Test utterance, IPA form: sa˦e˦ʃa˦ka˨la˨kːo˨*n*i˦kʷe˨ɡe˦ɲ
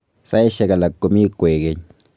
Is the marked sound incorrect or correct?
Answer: incorrect